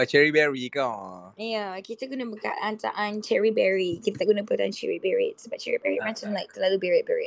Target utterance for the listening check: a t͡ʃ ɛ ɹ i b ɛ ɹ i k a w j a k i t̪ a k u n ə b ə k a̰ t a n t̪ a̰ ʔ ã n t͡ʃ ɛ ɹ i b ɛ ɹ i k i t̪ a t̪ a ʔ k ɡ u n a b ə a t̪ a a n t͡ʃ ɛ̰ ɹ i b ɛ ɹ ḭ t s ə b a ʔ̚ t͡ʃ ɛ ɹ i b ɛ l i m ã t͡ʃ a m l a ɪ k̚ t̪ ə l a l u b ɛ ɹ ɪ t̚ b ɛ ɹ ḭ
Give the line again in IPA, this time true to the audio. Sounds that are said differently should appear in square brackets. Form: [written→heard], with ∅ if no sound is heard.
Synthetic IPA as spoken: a t͡ʃ ɛ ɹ i b ɛ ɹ i k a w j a k i t̪ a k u n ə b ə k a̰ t a n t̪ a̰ ʔ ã n t͡ʃ ɛ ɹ i b ɛ ɹ i k i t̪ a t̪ a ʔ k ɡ u n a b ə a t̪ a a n t͡ʃ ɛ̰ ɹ i b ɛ ɹ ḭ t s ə b a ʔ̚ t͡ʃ ɛ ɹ i b ɛ [l→ɹ] i m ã t͡ʃ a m l a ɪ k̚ t̪ ə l a l u b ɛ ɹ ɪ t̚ b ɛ ɹ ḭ